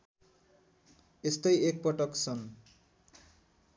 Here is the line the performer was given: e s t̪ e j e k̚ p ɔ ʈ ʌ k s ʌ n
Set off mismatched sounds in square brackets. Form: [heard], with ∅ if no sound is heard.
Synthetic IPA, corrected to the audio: e s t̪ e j e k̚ p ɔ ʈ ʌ k s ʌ n